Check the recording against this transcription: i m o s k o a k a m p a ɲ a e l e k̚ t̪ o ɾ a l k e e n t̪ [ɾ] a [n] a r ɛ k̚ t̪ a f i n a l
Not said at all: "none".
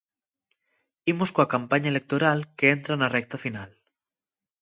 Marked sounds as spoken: ɾ, n

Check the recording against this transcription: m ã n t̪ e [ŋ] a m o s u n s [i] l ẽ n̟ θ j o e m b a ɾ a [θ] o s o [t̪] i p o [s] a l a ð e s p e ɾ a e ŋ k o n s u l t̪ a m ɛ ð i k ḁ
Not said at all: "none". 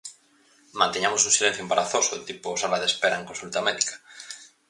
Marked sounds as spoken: ɲ, i, θ, t̪, s

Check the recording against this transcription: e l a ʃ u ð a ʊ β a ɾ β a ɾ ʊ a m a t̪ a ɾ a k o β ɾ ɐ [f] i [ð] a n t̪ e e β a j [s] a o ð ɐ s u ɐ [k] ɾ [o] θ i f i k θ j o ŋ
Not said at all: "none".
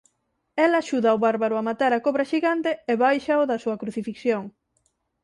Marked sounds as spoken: ʃ, ɣ, ʃ, k, u

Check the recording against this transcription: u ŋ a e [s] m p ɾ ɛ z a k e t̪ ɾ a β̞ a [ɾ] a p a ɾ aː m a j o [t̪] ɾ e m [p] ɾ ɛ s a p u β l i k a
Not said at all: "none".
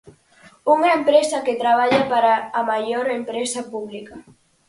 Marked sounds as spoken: none, ʎ, none, p

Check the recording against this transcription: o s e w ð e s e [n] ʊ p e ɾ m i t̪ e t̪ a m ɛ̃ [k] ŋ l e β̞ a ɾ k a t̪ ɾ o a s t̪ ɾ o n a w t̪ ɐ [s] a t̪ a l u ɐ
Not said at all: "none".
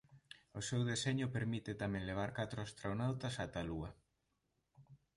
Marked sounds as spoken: ɲ, none, s

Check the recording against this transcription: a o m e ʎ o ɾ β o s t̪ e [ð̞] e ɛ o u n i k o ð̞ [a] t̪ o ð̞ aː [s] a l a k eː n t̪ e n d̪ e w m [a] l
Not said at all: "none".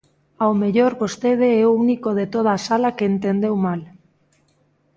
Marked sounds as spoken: ð̞, e, s, a

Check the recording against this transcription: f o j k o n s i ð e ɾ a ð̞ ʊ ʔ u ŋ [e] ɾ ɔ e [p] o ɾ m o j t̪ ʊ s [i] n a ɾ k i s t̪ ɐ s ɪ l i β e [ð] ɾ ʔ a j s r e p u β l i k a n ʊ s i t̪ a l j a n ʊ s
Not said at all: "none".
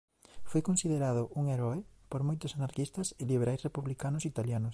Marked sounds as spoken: e, p, a, none

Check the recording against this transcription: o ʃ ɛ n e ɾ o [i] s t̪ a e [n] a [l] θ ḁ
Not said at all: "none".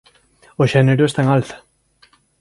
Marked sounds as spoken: e, ŋ, l

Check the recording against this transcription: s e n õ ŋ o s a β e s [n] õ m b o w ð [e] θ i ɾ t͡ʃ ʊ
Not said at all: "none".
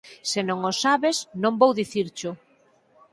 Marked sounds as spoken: n, i

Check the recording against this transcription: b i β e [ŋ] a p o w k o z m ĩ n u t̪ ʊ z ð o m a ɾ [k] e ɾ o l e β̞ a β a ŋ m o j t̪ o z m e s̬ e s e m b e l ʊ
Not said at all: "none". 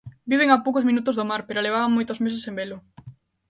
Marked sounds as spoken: ŋ, p

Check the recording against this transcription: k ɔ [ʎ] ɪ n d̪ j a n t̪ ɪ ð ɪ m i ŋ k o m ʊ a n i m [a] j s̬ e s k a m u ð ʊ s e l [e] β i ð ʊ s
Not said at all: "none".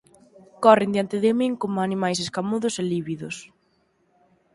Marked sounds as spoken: r, a, i

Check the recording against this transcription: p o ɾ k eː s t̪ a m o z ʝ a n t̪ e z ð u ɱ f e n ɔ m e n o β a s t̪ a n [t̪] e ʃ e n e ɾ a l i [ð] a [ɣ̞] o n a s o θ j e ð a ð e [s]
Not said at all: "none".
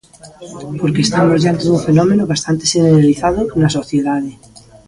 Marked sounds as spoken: t̪, θ, ð̞, none

